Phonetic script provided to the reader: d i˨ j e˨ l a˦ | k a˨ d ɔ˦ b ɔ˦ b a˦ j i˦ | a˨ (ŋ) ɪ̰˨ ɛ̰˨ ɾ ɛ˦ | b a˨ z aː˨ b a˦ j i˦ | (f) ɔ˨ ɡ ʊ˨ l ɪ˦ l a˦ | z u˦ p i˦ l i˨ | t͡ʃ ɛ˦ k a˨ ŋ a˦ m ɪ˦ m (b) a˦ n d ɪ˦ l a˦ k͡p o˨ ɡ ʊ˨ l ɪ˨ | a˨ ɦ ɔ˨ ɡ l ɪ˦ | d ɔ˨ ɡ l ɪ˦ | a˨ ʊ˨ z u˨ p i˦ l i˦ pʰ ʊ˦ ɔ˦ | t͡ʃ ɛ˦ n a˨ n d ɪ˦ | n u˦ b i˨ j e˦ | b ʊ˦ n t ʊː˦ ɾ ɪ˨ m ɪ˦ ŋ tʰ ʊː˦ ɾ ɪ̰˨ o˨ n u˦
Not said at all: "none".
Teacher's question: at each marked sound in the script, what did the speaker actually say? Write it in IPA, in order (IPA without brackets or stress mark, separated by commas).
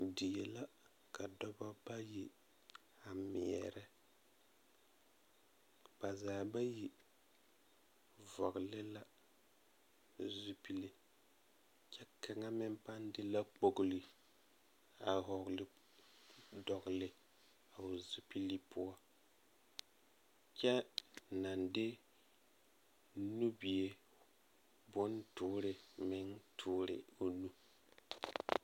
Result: m, v, p